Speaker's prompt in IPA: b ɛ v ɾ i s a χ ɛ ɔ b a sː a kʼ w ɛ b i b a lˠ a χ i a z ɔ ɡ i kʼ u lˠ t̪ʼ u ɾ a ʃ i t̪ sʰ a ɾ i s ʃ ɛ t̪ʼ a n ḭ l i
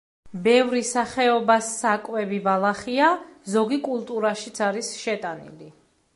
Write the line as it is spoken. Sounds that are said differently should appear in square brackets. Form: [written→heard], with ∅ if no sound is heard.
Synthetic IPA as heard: b ɛ v ɾ i s a χ ɛ ɔ b a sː a kʼ w ɛ b i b a lˠ a χ i a z ɔ ɡ i kʼ u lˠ t̪ʼ u ɾ a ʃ i t̪ sʰ a ɾ i s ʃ ɛ t̪ʼ a n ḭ l i